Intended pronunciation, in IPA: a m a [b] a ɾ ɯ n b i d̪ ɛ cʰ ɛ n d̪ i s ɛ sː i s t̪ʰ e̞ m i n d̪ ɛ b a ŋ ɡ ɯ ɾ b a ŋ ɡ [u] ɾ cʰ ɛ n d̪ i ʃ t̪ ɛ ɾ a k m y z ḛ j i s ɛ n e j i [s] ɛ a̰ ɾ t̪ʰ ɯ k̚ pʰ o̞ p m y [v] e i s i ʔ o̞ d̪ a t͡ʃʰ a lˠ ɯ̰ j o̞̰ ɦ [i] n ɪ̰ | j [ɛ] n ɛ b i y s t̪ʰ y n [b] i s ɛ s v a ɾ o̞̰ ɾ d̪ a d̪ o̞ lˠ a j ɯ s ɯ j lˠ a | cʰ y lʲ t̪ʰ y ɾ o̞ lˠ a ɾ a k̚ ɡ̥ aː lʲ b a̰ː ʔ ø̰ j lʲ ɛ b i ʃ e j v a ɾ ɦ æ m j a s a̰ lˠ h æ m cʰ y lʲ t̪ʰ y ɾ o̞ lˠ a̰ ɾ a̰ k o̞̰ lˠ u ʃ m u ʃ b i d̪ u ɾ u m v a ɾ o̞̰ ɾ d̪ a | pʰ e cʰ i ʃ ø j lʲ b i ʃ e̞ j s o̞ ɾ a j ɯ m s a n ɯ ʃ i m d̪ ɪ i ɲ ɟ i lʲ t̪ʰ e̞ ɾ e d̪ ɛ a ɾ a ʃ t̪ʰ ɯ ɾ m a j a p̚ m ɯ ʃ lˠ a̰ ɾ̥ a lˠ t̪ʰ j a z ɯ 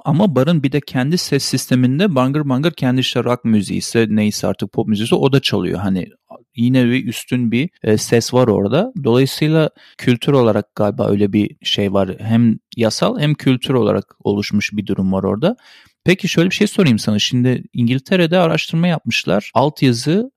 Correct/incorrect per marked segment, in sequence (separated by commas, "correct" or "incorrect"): correct, incorrect, correct, incorrect, incorrect, incorrect, correct